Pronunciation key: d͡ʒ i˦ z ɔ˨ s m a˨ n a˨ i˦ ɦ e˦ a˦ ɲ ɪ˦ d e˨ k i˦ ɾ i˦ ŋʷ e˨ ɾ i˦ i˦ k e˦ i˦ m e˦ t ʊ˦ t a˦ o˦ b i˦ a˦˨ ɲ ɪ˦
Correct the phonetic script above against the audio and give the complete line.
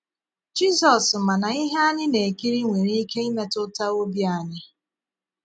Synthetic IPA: d͡ʒ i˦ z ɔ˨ s m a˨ n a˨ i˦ ɦ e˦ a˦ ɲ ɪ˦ n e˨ k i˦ ɾ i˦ ŋʷ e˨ ɾ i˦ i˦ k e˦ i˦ m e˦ t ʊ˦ t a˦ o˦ b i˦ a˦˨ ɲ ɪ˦

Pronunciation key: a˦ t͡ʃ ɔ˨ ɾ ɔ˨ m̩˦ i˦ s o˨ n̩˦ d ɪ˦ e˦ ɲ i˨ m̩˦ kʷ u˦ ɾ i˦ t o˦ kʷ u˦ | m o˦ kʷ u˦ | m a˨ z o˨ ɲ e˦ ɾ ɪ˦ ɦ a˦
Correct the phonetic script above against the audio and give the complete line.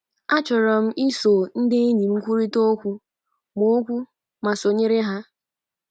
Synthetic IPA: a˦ t͡ʃ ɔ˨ ɾ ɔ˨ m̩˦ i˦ s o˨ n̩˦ d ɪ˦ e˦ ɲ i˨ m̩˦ kʷ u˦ ɾ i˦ t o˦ kʷ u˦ | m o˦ kʷ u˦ | m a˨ s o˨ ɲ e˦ ɾ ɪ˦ ɦ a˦

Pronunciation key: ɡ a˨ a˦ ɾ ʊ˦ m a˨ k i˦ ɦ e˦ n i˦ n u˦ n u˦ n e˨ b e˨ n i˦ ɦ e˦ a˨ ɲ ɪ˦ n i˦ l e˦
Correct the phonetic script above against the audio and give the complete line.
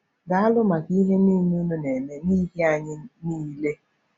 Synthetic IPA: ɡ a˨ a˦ l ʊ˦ m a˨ k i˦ ɦ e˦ n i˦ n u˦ n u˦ n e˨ m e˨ n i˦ ɦ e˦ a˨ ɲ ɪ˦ n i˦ l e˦

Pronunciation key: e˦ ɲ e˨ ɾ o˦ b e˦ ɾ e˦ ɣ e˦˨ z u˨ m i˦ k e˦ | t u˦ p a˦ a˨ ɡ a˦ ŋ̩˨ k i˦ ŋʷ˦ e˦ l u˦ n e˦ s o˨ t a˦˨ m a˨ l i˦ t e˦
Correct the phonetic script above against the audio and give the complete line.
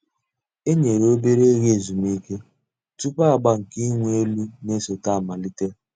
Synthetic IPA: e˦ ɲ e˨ ɾ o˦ b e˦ ɾ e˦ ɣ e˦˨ z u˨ m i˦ k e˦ | t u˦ p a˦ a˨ ɡ͡b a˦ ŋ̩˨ k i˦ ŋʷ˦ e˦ l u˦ n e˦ s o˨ t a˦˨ m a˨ l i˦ t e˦

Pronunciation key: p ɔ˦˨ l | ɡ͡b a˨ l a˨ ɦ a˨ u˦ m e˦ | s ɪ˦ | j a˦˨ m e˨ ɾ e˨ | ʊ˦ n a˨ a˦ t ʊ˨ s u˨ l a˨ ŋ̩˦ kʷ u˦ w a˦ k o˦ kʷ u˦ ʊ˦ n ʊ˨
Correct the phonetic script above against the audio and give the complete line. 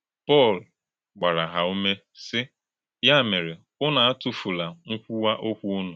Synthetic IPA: p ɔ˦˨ l | ɡ͡b a˨ ɾ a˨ ɦ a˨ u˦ m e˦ | s ɪ˦ | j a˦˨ m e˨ ɾ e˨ | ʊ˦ n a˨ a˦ t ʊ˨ f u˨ l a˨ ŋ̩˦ kʷ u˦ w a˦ ʔ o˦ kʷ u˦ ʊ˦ n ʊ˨

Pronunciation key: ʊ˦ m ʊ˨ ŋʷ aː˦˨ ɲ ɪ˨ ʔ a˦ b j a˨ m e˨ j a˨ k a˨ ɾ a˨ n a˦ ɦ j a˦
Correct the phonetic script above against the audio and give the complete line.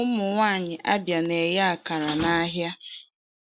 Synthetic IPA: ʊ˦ m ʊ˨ ŋʷ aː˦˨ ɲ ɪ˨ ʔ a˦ b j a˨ n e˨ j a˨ k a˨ ɾ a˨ n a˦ ɦ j a˦

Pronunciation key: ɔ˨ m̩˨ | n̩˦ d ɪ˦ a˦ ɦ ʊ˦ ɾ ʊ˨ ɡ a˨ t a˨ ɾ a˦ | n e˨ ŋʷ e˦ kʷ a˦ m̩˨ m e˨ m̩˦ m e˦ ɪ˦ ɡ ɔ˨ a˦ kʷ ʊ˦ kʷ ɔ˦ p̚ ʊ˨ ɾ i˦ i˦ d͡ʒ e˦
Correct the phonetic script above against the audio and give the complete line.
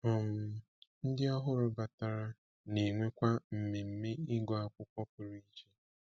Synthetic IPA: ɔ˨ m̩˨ | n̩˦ d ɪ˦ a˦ ɦ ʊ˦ ɾ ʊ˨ b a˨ t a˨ ɾ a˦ | n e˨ ŋʷ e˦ kʷ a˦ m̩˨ m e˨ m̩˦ m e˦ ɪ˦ ɡ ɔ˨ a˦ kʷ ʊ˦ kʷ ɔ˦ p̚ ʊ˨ ɾ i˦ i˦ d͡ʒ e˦

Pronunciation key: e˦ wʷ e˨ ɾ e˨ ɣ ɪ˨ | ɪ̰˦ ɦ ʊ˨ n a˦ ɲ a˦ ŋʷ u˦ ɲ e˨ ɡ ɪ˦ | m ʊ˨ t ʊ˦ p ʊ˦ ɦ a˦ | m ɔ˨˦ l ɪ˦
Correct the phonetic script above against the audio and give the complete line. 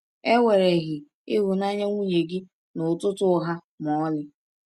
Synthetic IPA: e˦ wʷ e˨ ɾ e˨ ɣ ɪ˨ | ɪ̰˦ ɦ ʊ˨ n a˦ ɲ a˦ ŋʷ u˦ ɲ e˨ ɡ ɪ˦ | n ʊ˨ t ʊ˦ t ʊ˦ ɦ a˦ | m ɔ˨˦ l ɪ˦

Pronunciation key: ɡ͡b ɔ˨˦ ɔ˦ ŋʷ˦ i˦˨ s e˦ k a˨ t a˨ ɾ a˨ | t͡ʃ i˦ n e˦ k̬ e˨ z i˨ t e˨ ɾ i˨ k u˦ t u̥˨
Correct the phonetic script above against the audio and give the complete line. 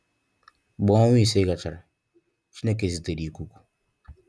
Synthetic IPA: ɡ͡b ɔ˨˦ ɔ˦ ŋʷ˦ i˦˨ s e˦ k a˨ t͡ʃ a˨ ɾ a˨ | t͡ʃ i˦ n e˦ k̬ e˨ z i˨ t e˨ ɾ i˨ k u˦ k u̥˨

